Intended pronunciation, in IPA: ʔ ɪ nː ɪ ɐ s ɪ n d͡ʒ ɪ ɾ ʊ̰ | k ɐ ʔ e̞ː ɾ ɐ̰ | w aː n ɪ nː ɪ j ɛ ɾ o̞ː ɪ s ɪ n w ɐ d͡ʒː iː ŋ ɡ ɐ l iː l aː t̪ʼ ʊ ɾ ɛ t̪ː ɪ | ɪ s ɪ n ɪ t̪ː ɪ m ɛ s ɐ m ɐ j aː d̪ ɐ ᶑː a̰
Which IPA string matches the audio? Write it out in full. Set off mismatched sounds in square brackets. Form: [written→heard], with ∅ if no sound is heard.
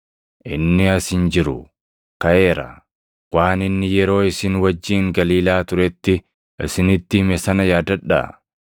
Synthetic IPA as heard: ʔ ɪ nː ɪ ɐ s ɪ n d͡ʒ ɪ ɾ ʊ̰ | k ɐ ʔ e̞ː ɾ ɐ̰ | w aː n ɪ nː ɪ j ɛ ɾ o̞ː ɪ s ɪ n w ɐ d͡ʒː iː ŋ ɡ ɐ l iː l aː [t̪ʼ→t̪] ʊ ɾ ɛ t̪ː ɪ | ɪ s ɪ n ɪ t̪ː ɪ m ɛ s ɐ [m→n] ɐ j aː d̪ ɐ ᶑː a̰